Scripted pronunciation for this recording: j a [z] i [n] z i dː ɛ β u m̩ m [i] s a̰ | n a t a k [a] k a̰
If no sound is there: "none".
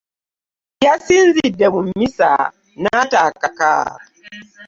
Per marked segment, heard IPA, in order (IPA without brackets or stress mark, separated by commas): s, n, i, a